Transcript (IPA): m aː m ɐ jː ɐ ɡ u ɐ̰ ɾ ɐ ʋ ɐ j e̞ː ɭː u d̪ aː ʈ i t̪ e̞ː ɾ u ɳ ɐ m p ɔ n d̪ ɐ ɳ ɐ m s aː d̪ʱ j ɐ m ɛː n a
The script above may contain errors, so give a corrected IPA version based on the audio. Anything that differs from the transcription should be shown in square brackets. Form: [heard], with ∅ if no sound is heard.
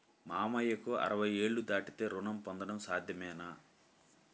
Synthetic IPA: m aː m ɐ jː ɐ [k] u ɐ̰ ɾ ɐ ʋ ɐ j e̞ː ɭː u d̪ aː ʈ i t̪ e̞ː ɾ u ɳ ɐ m p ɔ n d̪ ɐ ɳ ɐ m s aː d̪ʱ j ɐ m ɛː n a